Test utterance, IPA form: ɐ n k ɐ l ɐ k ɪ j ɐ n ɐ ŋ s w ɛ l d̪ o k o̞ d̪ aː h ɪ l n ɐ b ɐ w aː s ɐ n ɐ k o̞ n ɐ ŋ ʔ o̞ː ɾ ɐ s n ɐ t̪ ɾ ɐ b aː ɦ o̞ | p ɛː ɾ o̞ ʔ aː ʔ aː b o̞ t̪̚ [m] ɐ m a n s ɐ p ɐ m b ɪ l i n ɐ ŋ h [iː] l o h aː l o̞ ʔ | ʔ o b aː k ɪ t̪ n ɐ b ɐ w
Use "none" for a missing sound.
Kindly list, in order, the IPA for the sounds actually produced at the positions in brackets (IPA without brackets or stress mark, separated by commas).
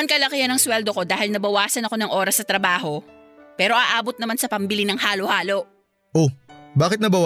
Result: n, aː